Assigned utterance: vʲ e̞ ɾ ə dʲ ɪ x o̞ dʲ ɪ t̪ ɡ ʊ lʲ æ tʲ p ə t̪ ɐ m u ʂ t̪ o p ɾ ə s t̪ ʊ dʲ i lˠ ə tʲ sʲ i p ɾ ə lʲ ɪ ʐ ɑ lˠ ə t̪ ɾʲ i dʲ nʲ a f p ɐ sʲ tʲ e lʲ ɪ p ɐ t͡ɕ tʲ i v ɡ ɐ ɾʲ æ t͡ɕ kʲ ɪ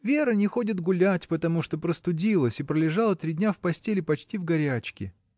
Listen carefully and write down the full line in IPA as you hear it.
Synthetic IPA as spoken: vʲ e̞ ɾ ə nʲ ɪ x o̞ dʲ ɪ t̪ ɡ ʊ lʲ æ tʲ p ə t̪ ɐ m u ʂ t̪ o p ɾ ə s t̪ ʊ dʲ i lˠ ə sʲ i p ɾ ə lʲ ɪ ʐ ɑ lˠ ə t̪ ɾʲ i dʲ nʲ a f p ɐ sʲ tʲ e lʲ ɪ p ɐ t͡ɕ tʲ i v ɡ ɐ ɾʲ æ t͡ɕ kʲ ɪ